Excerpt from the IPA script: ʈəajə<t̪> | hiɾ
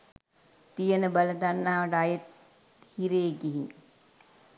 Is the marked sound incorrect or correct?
correct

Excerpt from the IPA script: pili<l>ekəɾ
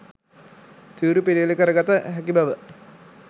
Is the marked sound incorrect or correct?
correct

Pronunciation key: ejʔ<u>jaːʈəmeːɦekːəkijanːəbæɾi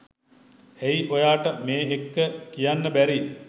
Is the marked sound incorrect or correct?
incorrect: o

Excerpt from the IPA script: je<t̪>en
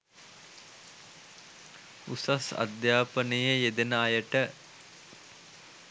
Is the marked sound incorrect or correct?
incorrect: d̪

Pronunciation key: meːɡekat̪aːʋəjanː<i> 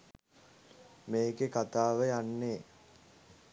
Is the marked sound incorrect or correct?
incorrect: e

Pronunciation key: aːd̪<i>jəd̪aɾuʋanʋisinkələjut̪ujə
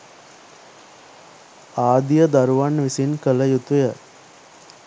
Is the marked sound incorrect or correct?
correct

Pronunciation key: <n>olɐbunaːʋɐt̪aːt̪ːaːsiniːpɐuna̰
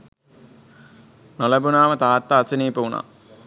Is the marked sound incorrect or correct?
correct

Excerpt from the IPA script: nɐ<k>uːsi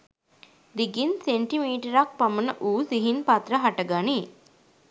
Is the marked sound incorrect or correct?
incorrect: ʔ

